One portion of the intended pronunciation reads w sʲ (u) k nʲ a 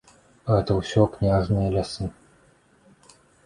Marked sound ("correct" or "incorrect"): incorrect